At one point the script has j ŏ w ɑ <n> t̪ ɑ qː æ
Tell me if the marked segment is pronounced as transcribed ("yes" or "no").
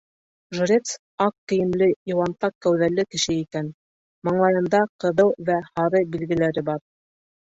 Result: yes